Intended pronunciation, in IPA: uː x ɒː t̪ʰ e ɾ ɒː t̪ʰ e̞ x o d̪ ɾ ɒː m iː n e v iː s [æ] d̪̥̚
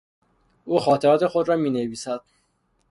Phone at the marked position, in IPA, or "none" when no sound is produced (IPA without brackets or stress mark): æ